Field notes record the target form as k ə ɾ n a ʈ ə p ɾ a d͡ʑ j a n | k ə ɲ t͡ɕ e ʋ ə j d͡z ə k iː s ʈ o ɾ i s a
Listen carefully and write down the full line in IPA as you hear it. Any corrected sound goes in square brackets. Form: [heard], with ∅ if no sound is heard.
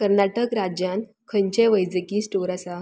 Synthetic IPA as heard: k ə ɾ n a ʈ ə [k] ɾ a d͡ʑ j a n | [kʰ] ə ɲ t͡ɕ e ʋ ə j d͡z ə k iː s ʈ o ɾ [a] s a